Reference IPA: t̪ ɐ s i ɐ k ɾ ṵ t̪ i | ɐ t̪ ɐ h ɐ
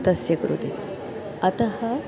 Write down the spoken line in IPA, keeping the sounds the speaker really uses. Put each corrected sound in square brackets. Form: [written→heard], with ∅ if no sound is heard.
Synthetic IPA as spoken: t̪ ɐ s [i→j] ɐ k ɾ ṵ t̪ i | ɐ t̪ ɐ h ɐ

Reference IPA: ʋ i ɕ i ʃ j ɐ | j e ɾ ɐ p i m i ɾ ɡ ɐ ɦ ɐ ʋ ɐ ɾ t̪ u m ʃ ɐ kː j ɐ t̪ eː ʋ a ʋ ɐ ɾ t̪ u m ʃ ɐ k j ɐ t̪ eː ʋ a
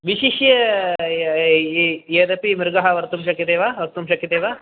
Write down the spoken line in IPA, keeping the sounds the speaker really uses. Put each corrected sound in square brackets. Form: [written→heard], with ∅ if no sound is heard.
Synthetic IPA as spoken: ʋ i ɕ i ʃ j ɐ | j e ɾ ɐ p i m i ɾ ɡ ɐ ɦ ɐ ʋ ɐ ɾ t̪ u m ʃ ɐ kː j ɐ t̪ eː ʋ a ʋ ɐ ɾ t̪ u m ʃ ɐ k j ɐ t̪ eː ʋ a

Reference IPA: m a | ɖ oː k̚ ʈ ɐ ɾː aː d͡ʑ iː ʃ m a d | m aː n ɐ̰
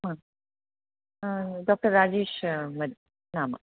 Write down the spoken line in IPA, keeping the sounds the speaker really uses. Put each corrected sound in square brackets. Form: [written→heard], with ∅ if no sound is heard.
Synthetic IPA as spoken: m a | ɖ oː k̚ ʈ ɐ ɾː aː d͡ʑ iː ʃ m [a→ɐ] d | [m→n] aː [n→m] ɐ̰

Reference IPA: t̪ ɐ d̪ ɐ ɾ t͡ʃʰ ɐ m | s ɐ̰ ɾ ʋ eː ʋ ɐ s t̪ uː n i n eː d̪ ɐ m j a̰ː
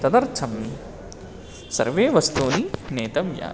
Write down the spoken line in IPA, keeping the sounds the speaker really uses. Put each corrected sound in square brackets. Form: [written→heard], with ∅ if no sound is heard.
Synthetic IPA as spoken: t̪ ɐ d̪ ɐ ɾ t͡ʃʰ ɐ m | s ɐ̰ ɾ ʋ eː ʋ ɐ s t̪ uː n i n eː [d̪→t̪] ɐ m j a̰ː

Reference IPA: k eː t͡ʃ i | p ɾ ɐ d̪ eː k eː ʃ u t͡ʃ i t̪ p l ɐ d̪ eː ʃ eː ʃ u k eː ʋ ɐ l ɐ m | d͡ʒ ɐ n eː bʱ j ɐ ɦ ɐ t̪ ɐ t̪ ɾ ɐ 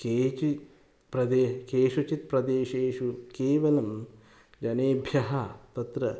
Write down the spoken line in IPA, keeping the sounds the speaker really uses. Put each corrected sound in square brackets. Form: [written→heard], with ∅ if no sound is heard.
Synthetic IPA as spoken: k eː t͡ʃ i | p ɾ ɐ d̪ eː k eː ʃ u t͡ʃ i t̪ p [l→ɾ] ɐ d̪ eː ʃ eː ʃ u k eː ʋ ɐ l ɐ m | d͡ʒ ɐ n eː bʱ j ɐ ɦ ɐ t̪ ɐ t̪ ɾ ɐ

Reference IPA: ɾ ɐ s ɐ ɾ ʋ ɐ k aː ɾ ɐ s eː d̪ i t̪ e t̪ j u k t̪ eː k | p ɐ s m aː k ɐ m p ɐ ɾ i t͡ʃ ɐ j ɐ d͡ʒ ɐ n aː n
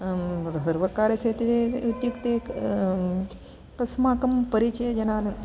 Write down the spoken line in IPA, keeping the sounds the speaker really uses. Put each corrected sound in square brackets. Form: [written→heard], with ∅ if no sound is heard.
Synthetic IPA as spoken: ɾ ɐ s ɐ ɾ ʋ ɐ k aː ɾ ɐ s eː [d̪→t̪] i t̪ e t̪ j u k t̪ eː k | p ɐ s m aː k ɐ m p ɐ ɾ i t͡ʃ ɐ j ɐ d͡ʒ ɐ n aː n

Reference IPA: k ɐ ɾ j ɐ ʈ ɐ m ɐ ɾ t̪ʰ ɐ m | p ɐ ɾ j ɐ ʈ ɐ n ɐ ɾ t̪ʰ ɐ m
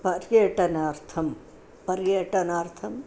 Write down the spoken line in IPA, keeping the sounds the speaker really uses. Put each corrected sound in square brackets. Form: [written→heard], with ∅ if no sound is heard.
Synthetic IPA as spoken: [k→p] ɐ ɾ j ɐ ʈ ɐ [m→n] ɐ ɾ t̪ʰ ɐ m | p ɐ ɾ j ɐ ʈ ɐ n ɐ ɾ t̪ʰ ɐ m

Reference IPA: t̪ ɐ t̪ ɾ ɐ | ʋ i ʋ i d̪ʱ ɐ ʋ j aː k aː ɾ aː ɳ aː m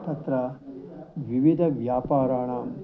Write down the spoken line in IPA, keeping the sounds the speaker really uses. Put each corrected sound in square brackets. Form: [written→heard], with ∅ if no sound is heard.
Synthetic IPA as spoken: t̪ ɐ t̪ ɾ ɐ | ʋ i ʋ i d̪ʱ ɐ ʋ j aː [k→p] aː ɾ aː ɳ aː m

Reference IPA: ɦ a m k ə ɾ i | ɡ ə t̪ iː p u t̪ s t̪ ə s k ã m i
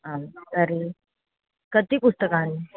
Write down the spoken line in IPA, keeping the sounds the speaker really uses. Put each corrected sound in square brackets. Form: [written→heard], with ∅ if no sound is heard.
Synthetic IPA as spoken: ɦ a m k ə ɾ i | [ɡ→k] ə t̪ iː p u [t̪→∅] s t̪ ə [s→∅] k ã [m→n] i

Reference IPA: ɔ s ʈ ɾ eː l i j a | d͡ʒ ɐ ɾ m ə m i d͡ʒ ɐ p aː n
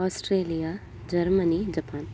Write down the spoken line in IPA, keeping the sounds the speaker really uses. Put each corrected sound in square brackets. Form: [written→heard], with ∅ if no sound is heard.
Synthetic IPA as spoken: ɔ s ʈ ɾ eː l i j a | d͡ʒ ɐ ɾ m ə [m→n] i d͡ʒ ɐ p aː n

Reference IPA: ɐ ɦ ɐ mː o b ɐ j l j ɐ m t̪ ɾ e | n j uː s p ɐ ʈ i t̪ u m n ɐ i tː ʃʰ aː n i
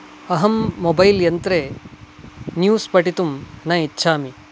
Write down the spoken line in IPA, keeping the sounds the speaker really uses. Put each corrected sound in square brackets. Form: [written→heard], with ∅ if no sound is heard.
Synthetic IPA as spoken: ɐ ɦ ɐ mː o b ɐ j l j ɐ [m→n] t̪ ɾ e | n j uː s p ɐ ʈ i t̪ u m n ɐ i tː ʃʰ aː [n→m] i

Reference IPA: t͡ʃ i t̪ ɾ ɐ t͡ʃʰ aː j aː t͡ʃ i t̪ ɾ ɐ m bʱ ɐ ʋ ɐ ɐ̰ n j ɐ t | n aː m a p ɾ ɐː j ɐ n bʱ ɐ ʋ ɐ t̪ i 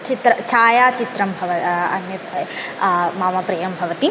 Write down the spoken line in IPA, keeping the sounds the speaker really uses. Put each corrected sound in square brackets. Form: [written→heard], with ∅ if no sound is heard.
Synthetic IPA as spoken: t͡ʃ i t̪ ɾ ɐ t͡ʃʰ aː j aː t͡ʃ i t̪ ɾ ɐ m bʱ ɐ ʋ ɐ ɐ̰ n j ɐ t | [n→m] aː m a p ɾ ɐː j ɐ [n→m] bʱ ɐ ʋ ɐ t̪ i

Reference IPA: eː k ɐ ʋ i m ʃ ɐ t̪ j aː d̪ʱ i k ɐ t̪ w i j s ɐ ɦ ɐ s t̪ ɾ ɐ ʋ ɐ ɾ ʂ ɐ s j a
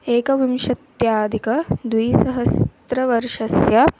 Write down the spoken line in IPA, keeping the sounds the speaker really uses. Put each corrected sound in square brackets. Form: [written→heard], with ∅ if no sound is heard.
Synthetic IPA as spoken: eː k ɐ ʋ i m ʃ ɐ t̪ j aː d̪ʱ i k ɐ [t̪→d̪] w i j s ɐ ɦ ɐ s t̪ ɾ ɐ ʋ ɐ ɾ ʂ ɐ s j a

